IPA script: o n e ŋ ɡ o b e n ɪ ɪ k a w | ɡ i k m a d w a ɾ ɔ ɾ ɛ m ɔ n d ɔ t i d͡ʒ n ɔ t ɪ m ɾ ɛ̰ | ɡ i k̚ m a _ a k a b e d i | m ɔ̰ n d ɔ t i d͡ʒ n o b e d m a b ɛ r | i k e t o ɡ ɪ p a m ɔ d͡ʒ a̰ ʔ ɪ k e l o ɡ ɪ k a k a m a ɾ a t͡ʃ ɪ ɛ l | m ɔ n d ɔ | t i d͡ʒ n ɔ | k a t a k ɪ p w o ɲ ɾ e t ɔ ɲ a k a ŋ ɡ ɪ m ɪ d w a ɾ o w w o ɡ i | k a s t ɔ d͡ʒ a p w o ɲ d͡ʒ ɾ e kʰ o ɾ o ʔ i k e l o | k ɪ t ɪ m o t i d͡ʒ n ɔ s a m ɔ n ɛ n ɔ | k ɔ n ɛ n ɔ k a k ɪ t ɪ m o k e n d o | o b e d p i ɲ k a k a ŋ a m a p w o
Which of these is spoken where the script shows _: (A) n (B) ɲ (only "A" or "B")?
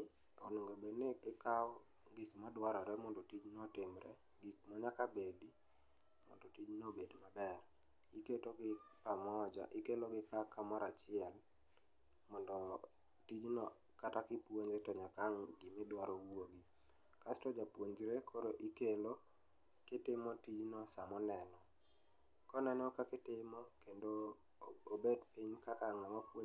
B